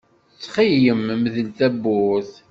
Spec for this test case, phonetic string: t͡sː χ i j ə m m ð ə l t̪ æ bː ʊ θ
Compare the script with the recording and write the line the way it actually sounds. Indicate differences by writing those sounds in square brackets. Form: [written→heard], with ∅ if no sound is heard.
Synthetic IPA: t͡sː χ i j ə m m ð ə l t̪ æ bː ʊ θ